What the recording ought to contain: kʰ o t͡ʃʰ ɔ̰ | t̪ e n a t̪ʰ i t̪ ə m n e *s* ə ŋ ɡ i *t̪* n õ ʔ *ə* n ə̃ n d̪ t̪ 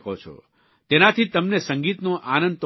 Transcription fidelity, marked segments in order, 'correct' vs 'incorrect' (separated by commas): correct, correct, incorrect